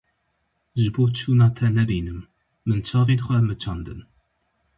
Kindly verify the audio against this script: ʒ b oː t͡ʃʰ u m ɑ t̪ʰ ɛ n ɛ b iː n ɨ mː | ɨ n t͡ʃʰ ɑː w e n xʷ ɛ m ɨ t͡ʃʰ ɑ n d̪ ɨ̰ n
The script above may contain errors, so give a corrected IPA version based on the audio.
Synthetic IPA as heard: ʒ b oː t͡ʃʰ u n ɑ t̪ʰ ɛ n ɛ b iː n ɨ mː | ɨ n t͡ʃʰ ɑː v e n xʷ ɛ m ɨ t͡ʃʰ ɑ n d̪ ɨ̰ n

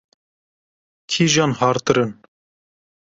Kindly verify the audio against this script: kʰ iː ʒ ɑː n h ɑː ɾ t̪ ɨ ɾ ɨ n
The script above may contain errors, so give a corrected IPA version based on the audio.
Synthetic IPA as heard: kʰ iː ʒ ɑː n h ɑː ɾ t̪ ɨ ɾ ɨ n

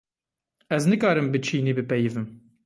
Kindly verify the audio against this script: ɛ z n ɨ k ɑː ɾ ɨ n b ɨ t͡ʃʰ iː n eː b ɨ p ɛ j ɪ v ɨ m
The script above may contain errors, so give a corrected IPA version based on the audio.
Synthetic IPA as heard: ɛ z n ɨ k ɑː ɾ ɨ m b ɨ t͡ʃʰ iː n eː b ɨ p ɛ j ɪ v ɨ m

